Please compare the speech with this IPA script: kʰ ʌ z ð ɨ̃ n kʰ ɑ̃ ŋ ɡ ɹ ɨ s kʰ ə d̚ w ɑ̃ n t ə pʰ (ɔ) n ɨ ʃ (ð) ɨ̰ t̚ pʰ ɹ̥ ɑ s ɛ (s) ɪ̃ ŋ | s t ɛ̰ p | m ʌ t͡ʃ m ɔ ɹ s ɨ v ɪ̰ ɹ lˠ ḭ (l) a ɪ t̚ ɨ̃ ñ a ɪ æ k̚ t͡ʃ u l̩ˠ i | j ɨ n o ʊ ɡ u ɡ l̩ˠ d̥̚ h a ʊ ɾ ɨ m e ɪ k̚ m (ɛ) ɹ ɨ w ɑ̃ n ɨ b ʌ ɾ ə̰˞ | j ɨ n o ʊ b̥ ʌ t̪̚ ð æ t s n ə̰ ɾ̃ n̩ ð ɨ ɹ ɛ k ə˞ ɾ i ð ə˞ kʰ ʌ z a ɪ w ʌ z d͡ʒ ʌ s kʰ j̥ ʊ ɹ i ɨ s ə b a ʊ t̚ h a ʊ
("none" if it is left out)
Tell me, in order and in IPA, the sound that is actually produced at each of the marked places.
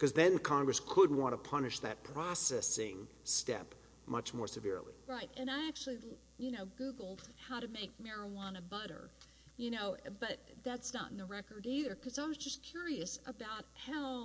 ʌ, ð, s, ɹ, ɛ

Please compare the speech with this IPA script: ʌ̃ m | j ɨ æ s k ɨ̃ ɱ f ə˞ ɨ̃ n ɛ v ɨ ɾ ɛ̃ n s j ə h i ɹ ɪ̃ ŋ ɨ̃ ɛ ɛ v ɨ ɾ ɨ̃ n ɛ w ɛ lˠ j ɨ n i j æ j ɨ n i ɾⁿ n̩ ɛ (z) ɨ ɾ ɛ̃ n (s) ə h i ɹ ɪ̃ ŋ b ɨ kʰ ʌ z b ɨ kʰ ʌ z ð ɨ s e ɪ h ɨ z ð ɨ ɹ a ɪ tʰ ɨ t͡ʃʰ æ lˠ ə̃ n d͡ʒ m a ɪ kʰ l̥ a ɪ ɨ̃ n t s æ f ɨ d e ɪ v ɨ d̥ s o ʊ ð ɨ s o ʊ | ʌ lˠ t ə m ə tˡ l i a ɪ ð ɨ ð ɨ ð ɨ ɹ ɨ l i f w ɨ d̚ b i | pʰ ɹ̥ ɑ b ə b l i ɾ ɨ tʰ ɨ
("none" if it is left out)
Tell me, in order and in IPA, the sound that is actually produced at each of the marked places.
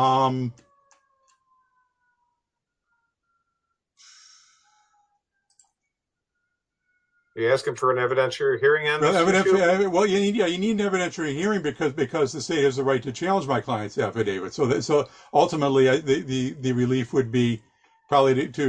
v, s

